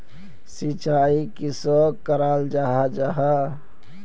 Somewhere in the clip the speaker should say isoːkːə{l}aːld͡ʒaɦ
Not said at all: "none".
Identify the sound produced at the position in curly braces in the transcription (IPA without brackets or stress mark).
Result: ɾ